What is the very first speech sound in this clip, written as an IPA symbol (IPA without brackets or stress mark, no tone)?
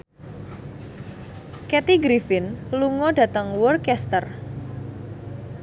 k